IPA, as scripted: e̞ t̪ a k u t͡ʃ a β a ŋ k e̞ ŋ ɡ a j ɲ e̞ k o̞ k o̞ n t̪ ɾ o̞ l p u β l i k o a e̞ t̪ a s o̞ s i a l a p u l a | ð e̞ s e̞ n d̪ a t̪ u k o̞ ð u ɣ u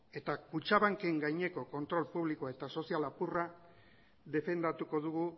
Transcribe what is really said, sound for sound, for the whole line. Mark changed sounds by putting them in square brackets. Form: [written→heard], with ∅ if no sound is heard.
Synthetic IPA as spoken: e̞ t̪ a k u t͡ʃ a β a ŋ k e̞ ŋ ɡ a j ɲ e̞ k o̞ k o̞ n t̪ ɾ o̞ l p u β l i k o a e̞ t̪ a s o̞ s i a l a p u [l→r] a | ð e̞ [s→f] e̞ n d̪ a t̪ u k o̞ ð u ɣ u